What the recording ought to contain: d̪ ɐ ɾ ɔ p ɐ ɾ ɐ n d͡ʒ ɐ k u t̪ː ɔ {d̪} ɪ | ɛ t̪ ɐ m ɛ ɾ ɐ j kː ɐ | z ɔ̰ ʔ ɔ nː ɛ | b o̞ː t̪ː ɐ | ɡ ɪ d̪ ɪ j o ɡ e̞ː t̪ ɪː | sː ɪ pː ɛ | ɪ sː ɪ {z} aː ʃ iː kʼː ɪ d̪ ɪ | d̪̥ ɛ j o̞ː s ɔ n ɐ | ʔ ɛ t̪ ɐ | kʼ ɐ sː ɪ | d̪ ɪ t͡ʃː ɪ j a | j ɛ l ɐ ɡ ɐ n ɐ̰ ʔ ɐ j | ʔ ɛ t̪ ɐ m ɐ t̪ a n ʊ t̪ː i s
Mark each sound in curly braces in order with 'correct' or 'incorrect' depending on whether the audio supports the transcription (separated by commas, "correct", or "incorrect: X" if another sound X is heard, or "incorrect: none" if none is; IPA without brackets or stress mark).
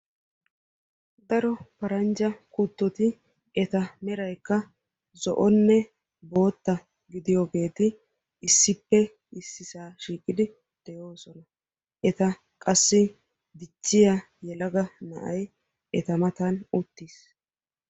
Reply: incorrect: t̪, incorrect: s